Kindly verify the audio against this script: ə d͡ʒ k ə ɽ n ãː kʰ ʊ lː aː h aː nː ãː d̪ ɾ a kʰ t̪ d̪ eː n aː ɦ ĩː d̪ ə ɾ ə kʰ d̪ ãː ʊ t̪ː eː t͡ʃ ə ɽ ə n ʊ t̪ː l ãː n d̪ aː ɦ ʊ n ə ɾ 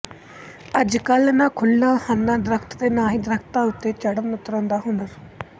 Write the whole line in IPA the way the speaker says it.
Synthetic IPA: ə d͡ʒ k ə l n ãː kʰ ʊ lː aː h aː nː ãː d̪ ɾ ə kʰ t̪ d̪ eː n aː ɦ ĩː d̪ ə ɾ ə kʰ t̪ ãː ʊ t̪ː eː t͡ʃ ə ɽ ə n ʊ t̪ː ɾ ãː n d̪ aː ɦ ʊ n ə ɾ